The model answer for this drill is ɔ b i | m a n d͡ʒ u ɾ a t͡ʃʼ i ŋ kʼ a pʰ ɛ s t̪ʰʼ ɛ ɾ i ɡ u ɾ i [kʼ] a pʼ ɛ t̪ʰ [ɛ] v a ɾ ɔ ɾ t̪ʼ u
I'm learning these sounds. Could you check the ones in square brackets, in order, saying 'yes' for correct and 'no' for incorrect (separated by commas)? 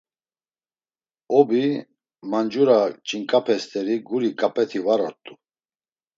yes, no